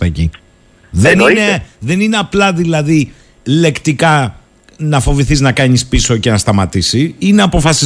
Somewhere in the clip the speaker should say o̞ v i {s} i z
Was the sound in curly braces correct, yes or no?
no